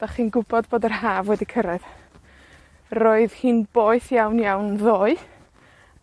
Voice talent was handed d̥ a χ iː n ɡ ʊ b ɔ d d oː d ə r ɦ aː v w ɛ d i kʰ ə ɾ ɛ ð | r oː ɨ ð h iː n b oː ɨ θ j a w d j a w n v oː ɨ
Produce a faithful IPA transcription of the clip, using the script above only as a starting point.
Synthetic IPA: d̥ a χ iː n ɡ ʊ b ɔ d b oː d ə r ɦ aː v w ɛ d i kʰ ə ɾ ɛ ð | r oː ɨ ð h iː n b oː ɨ θ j a w n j a w n ð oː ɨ